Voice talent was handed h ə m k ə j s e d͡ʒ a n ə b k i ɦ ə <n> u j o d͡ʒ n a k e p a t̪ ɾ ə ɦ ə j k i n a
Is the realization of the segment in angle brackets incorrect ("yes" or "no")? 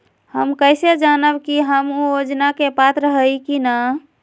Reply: yes